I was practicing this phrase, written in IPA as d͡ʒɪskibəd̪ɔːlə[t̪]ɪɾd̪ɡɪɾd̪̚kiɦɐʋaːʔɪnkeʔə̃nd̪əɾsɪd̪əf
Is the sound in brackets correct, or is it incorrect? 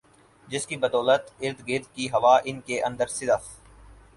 correct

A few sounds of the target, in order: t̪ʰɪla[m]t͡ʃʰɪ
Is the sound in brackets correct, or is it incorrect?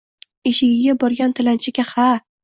incorrect: n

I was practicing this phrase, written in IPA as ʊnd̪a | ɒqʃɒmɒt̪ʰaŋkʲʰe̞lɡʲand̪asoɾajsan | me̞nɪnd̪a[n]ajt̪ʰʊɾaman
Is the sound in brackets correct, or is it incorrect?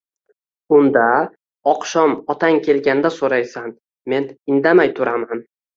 incorrect: m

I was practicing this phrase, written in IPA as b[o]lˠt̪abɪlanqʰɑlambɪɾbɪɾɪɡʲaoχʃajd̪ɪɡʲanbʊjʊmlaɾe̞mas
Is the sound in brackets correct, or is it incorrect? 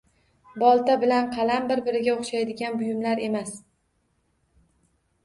incorrect: ɒ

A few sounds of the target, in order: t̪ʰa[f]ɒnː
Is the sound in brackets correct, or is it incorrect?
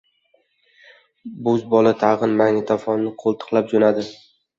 correct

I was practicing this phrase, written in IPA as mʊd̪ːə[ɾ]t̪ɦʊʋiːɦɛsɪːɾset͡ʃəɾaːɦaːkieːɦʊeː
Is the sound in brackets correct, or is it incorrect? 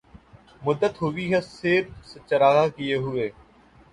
incorrect: none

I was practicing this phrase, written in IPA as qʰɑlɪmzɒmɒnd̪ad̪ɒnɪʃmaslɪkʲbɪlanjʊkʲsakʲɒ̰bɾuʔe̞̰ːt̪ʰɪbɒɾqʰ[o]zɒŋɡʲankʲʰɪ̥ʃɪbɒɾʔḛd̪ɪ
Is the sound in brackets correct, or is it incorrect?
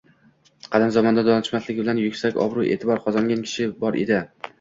incorrect: ɒ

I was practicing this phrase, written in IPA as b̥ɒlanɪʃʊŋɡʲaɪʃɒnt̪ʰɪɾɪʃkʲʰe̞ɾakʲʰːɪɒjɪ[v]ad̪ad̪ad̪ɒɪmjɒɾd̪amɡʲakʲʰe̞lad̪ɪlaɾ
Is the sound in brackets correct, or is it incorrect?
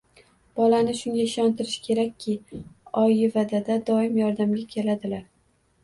correct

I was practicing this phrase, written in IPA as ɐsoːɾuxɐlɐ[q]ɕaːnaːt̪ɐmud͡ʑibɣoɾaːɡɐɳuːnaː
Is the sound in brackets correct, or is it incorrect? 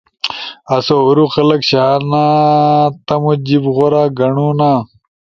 incorrect: k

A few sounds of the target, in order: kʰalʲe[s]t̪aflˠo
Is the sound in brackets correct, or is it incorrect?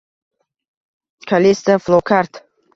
correct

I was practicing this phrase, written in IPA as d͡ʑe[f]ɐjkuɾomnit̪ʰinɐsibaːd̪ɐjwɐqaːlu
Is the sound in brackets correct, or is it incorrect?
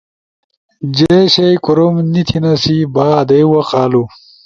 incorrect: ɕ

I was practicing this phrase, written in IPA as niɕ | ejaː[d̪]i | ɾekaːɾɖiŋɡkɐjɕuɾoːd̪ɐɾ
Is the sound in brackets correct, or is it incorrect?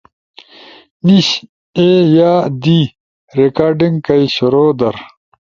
correct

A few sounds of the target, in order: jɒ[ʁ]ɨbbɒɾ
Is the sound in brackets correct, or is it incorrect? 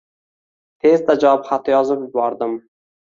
incorrect: z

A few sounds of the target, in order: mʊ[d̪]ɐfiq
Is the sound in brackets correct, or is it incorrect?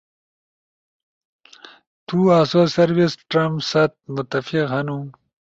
incorrect: t̪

